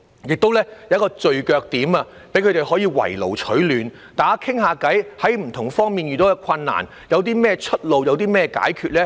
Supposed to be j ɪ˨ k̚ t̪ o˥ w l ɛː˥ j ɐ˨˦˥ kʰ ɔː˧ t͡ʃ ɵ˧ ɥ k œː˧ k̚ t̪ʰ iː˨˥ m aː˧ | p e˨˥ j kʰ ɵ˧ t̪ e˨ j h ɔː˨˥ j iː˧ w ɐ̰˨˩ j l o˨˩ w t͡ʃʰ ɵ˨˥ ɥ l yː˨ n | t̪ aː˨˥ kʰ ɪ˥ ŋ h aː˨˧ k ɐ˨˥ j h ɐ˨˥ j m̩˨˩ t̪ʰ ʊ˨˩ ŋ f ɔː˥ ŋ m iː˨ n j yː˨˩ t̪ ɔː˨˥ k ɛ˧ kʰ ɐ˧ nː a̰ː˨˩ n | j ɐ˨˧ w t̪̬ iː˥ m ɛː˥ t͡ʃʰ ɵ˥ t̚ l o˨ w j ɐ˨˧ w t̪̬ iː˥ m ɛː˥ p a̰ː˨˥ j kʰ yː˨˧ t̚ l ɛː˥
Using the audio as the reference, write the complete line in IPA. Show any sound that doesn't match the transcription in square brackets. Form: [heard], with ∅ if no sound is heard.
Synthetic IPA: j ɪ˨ k̚ t̪ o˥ w l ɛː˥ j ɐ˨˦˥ [k] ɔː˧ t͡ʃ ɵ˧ ɥ k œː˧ k̚ [t̪] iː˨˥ m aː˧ | p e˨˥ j kʰ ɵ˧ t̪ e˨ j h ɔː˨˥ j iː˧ w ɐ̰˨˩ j l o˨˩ w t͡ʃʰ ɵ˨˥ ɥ l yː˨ n | t̪ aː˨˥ kʰ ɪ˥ ŋ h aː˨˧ k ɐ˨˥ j h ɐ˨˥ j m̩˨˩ t̪ʰ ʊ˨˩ ŋ f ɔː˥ ŋ m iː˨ n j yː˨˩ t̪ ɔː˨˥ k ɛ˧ kʰ ɐ˧ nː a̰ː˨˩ n | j ɐ˨˧ w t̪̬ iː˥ m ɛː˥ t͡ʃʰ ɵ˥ t̚ l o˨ w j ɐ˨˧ w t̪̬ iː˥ m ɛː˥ [k] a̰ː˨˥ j kʰ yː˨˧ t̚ l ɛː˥